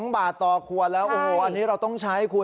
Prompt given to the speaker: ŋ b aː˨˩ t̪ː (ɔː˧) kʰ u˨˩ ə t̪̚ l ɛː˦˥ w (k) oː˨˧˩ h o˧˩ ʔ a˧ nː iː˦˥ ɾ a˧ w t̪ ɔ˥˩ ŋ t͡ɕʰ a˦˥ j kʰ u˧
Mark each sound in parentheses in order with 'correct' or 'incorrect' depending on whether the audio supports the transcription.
incorrect, incorrect

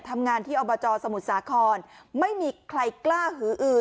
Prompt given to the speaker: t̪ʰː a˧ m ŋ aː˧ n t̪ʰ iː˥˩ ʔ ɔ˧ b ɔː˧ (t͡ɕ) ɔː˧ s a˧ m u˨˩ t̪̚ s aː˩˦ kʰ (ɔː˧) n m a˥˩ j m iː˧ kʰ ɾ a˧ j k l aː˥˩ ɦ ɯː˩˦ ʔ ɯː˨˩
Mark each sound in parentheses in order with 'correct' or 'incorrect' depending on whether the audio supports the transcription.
correct, correct

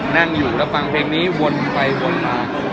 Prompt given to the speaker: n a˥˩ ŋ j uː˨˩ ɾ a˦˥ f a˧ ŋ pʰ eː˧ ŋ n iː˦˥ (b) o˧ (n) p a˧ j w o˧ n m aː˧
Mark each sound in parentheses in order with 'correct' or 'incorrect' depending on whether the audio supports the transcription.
incorrect, correct

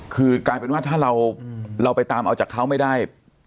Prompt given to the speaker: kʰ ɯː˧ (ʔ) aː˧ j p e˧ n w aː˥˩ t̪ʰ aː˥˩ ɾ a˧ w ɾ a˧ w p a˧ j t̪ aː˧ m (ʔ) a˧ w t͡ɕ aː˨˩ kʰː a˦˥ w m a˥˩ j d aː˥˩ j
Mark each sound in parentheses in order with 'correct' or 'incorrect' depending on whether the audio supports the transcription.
incorrect, correct

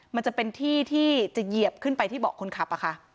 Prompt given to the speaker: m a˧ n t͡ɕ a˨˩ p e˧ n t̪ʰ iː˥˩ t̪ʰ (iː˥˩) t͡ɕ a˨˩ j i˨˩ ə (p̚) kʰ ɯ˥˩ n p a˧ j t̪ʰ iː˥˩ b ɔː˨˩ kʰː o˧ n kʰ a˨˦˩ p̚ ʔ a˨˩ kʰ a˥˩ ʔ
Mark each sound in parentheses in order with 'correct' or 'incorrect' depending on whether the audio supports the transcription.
correct, correct

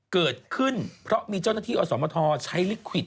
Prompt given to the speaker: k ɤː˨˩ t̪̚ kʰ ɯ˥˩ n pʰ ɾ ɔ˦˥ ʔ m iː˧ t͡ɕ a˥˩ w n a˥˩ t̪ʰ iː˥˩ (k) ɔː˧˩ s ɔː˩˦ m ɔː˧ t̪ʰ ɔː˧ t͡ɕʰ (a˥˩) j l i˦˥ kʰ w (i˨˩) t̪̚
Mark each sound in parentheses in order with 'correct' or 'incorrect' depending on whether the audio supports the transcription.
incorrect, incorrect, correct

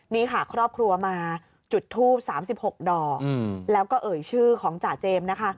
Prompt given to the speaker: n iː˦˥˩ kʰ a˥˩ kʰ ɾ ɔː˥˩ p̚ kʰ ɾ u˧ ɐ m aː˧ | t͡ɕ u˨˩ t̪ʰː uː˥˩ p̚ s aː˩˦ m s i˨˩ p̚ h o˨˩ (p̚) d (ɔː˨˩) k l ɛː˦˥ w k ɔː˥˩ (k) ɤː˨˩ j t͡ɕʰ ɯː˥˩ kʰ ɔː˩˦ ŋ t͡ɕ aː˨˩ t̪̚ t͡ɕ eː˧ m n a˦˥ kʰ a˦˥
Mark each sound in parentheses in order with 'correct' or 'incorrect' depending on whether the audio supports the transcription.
incorrect, correct, incorrect

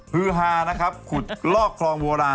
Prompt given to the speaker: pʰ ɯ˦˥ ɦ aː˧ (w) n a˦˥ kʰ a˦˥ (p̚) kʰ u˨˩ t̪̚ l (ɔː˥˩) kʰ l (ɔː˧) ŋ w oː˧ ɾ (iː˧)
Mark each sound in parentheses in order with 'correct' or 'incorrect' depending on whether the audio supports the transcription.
incorrect, correct, correct, correct, incorrect

